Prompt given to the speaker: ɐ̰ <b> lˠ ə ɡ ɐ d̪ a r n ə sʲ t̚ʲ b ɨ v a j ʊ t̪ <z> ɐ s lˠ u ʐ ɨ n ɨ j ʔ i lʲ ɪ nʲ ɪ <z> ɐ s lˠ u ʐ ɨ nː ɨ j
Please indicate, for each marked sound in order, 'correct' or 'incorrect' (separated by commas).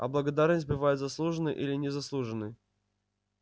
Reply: correct, correct, correct